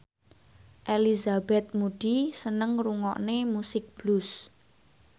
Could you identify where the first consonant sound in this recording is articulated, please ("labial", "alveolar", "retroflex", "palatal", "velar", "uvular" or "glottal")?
glottal